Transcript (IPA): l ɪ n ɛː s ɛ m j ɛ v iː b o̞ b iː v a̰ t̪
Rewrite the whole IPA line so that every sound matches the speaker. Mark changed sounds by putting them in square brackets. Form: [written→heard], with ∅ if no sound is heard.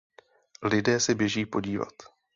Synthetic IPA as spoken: l ɪ [n→d] ɛː s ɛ [m→b] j ɛ [v→ʒ] iː [b→p] o̞ [b→ɟ] iː v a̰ t̪